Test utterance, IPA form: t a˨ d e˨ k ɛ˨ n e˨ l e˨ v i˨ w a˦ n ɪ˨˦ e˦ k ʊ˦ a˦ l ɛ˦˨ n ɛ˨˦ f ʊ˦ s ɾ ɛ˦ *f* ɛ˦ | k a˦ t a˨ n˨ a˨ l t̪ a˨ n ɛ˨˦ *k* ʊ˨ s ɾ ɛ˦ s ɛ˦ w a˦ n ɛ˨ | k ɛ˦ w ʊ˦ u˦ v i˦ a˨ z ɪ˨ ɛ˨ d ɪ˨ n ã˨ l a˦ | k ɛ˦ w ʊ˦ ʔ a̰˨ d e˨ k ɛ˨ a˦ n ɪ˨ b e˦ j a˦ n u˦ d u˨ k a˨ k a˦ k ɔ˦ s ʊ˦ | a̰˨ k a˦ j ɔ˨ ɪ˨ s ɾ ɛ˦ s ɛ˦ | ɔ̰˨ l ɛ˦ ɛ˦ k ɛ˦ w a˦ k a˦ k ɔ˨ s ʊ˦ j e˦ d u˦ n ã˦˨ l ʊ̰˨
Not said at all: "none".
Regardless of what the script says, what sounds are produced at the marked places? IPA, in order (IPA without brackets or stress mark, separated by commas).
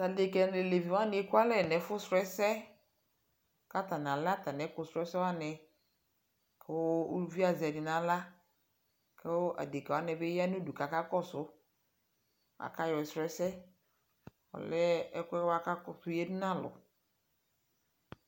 s, k